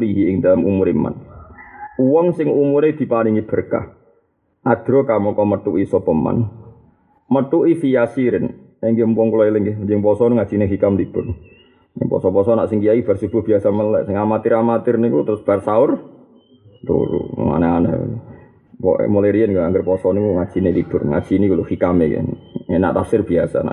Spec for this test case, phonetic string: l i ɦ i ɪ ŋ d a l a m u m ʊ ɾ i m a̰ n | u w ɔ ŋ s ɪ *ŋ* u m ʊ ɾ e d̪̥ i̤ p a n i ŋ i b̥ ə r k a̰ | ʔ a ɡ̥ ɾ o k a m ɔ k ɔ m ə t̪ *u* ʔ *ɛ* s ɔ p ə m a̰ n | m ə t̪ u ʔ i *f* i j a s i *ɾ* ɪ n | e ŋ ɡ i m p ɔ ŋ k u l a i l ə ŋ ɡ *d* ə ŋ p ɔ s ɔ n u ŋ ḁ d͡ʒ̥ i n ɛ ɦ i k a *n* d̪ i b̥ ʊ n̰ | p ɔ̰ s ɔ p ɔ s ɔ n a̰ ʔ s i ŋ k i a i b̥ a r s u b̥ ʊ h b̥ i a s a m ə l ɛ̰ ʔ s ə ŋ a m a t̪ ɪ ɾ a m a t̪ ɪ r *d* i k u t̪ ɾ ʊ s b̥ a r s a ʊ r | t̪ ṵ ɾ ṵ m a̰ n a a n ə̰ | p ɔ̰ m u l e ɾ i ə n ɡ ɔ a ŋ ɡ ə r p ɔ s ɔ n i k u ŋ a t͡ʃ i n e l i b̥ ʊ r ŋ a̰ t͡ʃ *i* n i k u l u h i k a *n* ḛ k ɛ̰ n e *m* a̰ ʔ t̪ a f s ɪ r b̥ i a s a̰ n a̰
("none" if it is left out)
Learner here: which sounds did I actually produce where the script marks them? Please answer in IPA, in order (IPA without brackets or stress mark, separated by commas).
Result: ŋ, u, i, f, ɾ, d͡ʒ, m, n, i, m, n